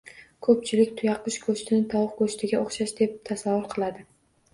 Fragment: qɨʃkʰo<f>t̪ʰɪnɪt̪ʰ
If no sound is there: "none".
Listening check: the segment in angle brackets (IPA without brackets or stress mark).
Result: ʃ